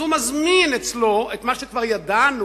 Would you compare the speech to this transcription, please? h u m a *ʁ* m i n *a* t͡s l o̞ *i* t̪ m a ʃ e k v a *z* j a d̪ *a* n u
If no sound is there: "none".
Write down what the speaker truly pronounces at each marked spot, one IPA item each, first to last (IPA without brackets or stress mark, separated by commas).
z, e, e, ʁ, a